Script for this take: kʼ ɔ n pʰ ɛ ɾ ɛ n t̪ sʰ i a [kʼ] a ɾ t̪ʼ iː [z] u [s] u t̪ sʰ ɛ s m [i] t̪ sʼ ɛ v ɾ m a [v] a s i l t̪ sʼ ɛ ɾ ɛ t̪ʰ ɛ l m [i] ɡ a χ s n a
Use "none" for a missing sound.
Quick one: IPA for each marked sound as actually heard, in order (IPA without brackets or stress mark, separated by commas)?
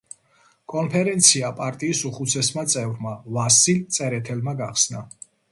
pʼ, s, χ, a, v, a